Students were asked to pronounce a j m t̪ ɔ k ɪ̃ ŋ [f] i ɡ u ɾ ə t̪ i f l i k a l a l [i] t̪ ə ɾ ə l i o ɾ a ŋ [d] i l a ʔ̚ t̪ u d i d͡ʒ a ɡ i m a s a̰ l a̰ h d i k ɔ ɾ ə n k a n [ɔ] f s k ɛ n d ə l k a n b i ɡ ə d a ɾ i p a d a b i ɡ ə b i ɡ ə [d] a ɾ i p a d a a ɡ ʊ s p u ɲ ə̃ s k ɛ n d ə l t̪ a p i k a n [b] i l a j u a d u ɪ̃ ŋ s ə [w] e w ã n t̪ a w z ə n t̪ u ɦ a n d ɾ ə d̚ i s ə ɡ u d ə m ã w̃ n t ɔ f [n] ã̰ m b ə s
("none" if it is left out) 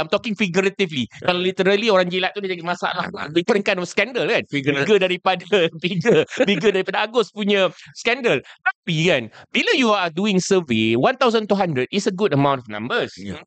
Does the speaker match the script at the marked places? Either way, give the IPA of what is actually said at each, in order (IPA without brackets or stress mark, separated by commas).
f, i, d͡ʒ, ɔ, d, b, v, n